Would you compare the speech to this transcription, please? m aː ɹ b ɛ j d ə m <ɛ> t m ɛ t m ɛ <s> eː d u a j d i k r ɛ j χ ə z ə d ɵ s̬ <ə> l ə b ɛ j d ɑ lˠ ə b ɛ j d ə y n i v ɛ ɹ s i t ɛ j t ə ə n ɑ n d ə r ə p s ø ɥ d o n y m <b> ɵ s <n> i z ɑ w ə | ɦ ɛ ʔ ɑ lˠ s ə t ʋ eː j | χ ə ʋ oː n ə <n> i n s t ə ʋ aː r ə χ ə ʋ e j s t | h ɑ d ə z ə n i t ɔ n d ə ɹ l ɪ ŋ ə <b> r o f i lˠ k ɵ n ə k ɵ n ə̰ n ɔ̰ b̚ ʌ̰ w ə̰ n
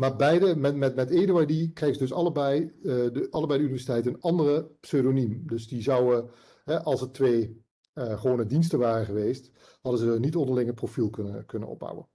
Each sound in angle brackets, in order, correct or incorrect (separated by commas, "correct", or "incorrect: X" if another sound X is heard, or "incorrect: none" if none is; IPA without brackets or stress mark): correct, incorrect: t, incorrect: ɑ, incorrect: d, incorrect: d, incorrect: d, incorrect: p